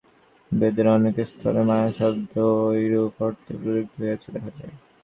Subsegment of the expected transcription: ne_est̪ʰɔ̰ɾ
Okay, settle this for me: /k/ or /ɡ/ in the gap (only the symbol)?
k